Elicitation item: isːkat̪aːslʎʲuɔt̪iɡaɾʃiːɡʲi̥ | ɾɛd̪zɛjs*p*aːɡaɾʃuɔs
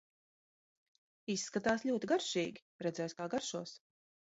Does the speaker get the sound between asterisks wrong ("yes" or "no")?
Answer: yes